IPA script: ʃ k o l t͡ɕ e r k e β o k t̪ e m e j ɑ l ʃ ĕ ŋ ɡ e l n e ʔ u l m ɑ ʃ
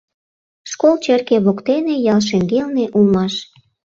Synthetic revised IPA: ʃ k o l t͡ɕ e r k e β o k t̪ e n e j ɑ l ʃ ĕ ŋ ɡ e l n e ʔ u l m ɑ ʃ